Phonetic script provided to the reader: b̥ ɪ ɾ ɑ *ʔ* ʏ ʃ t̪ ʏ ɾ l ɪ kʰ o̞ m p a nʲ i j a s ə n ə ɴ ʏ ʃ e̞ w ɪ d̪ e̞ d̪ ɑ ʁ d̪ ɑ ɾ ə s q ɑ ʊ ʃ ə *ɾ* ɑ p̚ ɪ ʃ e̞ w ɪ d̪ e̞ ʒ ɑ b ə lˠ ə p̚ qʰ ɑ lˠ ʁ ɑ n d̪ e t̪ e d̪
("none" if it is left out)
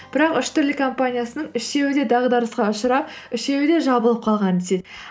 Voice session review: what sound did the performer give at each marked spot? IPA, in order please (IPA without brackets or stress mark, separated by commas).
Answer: q, ɾ